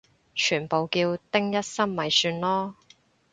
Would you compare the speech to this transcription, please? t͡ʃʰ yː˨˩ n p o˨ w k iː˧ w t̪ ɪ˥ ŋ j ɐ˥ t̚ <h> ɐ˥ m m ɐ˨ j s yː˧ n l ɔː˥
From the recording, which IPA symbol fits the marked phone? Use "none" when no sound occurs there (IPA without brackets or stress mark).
s